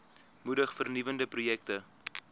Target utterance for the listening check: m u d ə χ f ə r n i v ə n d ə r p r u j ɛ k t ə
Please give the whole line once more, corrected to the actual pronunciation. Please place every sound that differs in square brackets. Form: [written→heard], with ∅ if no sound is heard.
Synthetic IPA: m u d ə χ f ə r n i v ə n d ə [r→∅] p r u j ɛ k t ə